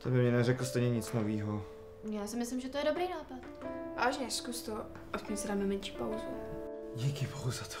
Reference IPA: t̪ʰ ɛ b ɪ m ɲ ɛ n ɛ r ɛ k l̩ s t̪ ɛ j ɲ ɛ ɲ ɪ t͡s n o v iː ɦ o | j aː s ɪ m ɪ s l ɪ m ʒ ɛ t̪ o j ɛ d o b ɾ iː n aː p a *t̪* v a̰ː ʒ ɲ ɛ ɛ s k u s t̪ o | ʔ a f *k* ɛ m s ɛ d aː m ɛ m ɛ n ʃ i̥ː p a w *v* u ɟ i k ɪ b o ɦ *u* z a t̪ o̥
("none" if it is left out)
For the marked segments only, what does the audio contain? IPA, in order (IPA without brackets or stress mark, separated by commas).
t̪, c, z, u